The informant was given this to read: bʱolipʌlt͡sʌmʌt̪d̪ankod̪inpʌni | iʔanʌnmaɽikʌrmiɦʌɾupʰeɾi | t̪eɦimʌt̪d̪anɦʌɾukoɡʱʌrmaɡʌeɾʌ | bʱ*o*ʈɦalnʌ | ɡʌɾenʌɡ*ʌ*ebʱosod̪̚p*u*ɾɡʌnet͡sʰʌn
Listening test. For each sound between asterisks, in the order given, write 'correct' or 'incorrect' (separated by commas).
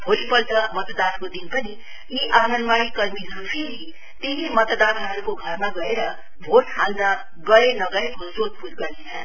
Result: correct, correct, correct